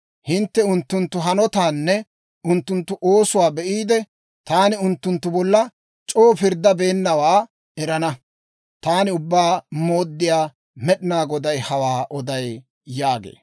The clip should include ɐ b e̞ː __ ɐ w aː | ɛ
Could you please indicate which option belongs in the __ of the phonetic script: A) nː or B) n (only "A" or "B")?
A